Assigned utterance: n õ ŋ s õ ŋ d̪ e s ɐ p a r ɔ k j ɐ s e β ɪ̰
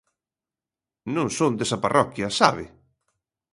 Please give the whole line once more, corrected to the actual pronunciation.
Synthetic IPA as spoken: n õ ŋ s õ n d̪ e s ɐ p a r ɔ k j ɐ s a β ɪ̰